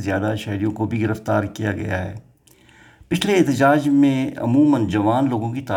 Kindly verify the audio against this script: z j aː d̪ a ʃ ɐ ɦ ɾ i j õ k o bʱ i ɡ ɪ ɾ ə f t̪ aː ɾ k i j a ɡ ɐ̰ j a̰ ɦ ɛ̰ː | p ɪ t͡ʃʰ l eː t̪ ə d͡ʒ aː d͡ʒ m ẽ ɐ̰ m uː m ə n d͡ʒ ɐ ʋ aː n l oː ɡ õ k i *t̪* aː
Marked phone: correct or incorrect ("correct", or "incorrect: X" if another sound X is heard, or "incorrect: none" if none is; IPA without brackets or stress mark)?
correct